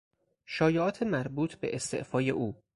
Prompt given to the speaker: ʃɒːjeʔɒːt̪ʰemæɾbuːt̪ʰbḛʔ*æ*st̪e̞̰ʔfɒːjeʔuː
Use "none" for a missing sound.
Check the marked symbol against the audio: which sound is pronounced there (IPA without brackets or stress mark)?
e